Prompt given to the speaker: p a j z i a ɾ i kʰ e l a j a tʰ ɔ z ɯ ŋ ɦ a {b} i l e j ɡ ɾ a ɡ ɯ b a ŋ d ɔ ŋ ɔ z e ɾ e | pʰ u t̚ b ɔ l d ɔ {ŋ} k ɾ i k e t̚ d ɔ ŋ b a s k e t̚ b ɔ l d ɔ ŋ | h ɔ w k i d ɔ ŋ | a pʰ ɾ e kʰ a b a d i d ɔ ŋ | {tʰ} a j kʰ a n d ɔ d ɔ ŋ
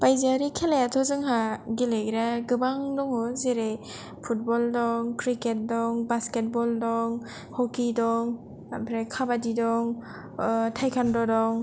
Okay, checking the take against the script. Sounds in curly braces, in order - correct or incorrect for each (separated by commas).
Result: incorrect, correct, correct